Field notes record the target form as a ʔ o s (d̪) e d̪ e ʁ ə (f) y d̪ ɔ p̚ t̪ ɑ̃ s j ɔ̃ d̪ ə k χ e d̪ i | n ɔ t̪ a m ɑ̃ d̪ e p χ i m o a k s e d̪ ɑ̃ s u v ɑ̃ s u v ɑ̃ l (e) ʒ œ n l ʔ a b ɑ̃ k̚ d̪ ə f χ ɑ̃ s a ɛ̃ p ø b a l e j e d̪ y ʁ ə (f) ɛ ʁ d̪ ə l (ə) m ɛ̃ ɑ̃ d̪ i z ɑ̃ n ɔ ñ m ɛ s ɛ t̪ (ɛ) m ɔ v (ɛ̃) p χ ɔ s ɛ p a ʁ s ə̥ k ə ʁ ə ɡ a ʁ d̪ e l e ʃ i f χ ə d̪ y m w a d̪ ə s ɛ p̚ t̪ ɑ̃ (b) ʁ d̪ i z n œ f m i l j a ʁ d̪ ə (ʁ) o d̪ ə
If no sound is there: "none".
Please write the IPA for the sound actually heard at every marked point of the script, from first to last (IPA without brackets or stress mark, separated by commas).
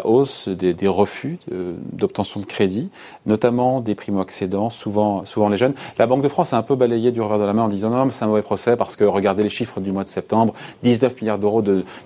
d̪, f, e, v, a, ɛ̃, ɛ, b, ʁ